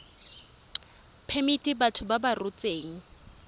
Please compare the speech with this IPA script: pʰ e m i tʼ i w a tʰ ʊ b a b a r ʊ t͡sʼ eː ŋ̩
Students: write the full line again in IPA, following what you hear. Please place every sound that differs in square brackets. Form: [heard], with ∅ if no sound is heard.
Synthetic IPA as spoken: pʰ e m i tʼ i [b] a tʰ ʊ b a b a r ʊ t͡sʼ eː ŋ̩